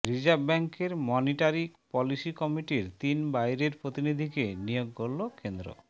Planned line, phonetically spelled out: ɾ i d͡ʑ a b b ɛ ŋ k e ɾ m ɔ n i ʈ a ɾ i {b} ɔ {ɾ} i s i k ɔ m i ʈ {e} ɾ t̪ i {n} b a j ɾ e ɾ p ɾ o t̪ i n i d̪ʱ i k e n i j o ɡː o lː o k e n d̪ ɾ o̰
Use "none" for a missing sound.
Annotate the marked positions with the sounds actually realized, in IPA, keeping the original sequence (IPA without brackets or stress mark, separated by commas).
p, l, i, n